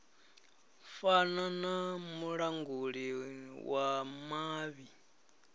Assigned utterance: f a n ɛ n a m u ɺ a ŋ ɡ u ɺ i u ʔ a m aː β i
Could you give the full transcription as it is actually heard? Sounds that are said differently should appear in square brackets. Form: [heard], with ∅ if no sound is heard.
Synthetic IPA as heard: f a n [a] n a m u ɺ a ŋ ɡ u ɺ i [w] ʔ a m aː β i